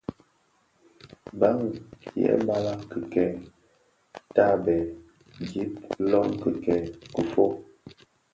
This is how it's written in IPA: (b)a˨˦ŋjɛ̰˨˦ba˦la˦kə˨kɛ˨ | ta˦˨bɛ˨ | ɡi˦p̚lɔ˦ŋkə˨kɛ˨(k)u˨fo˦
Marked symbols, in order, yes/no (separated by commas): yes, yes